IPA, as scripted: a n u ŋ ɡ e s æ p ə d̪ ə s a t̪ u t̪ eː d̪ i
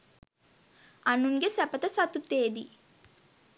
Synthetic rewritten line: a n u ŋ ɡ e s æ p ə t̪ ə s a t̪ u t̪ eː d̪ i

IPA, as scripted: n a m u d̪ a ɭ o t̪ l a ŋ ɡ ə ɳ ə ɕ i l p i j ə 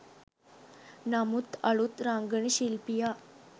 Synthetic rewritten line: n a m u t̪ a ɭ u t̪ ɾ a ŋ ɡ ə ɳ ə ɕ i l p i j a

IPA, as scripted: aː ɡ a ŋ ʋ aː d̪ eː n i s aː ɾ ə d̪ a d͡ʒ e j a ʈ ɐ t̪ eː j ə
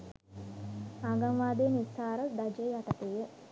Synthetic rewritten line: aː ɡ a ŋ ʋ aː d̪ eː n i s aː ɾ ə d̪ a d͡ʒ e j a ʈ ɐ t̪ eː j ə

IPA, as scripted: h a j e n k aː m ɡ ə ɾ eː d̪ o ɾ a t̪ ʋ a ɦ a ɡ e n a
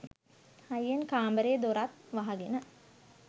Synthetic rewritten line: h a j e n k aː m b ə ɾ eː d̪ o ɾ a t̪ ʋ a ɦ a ɡ e n ə

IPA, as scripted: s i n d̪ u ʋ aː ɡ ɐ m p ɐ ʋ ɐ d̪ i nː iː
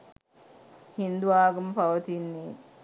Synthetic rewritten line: h i n d̪ u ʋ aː ɡ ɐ m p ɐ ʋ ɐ t̪ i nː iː

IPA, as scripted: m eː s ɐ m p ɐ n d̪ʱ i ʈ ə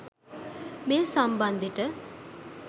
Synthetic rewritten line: m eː s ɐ m b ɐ n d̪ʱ i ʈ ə

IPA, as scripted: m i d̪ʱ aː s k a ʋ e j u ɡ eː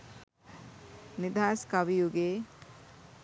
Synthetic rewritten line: n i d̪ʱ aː s k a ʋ i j u ɡ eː

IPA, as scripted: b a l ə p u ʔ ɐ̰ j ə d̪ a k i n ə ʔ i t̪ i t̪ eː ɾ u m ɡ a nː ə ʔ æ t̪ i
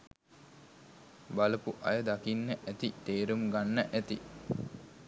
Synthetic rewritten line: b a l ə p u ʔ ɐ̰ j ə d̪ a k i nː ə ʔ æ t̪ i t̪ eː ɾ u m ɡ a nː ə ʔ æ t̪ i

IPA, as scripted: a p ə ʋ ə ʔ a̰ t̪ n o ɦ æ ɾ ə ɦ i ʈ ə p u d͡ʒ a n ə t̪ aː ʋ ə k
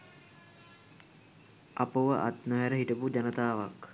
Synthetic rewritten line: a p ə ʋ ə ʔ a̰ t̪ n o ɦ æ ɾ ə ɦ i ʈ ə p u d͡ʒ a n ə t̪ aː ʋ a k

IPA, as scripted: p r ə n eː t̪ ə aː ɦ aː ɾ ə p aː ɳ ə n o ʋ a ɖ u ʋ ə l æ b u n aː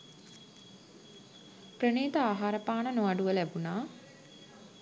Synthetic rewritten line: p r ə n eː t̪ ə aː ɦ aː ɾ ə p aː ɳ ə n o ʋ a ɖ u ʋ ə l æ b u n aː

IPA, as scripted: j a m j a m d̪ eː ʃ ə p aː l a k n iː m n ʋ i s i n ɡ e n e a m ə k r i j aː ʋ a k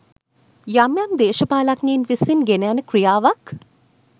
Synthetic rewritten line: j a m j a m d̪ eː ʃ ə p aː l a k n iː n ʋ i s i n ɡ e n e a n ə k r i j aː ʋ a k

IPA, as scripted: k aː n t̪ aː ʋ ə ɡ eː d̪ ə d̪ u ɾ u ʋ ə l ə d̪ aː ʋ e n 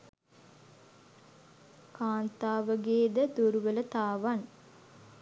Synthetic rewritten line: k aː n t̪ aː ʋ ə ɡ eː d̪ ə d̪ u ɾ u ʋ ə l ə t̪ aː ʋ a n

